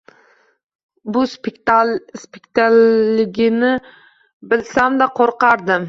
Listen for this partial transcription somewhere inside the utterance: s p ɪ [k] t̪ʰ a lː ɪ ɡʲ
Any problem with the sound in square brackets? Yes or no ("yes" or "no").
no